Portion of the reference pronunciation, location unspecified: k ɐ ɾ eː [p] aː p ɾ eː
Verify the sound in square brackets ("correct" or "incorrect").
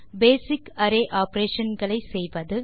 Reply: incorrect